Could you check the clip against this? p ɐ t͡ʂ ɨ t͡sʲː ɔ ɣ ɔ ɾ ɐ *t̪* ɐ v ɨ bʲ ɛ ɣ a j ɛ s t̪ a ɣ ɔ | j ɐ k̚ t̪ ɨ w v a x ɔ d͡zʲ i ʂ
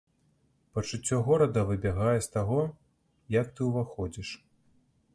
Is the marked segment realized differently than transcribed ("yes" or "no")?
yes